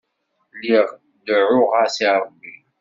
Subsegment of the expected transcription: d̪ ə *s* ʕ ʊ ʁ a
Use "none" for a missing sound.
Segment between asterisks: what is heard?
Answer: none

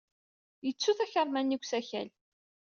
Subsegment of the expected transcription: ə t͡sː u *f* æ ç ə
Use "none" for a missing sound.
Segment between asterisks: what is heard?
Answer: θ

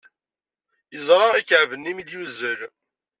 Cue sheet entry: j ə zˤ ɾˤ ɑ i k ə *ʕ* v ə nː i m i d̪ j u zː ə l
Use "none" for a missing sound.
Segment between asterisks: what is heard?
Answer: ʕ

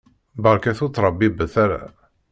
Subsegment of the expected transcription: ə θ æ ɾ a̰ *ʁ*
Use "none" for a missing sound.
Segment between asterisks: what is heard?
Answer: none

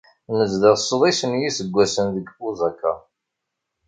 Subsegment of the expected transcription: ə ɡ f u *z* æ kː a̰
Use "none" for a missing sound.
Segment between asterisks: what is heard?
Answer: z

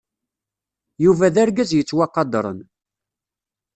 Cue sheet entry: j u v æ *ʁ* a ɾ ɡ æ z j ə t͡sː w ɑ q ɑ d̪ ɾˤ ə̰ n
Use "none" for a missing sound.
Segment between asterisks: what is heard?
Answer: ð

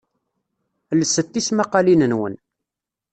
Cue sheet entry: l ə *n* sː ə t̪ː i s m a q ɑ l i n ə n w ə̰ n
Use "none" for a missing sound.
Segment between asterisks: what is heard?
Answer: none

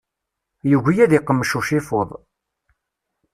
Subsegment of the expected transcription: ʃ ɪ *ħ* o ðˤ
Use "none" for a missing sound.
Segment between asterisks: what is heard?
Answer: f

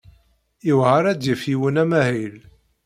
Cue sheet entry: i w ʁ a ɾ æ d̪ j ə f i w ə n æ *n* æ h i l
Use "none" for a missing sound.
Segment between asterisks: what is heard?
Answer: m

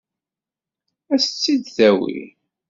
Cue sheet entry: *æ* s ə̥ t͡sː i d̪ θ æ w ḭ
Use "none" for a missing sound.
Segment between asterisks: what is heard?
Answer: æ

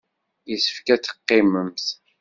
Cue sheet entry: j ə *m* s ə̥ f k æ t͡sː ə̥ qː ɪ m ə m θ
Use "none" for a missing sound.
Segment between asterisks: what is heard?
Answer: none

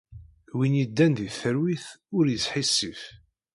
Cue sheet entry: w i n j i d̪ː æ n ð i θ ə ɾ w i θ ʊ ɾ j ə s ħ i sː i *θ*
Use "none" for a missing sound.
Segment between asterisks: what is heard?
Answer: f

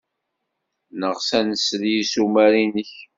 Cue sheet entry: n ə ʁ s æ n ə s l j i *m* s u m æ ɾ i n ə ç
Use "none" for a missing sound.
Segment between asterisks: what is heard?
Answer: none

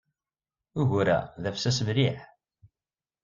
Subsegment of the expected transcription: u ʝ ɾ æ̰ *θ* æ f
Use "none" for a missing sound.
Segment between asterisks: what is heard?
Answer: ð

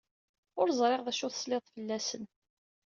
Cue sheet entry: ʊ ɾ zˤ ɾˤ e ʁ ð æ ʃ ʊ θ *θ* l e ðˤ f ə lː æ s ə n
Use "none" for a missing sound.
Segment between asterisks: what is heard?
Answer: s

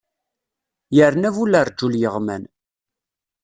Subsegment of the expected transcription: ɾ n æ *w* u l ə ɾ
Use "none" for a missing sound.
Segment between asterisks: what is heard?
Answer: v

